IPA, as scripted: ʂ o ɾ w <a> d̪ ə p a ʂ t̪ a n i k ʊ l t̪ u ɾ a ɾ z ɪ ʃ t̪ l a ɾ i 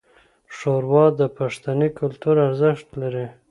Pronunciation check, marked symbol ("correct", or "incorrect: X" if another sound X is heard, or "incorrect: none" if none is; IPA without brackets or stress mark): incorrect: ɑ